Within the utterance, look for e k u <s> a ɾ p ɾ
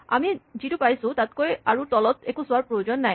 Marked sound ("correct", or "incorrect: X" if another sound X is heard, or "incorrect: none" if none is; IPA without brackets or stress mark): correct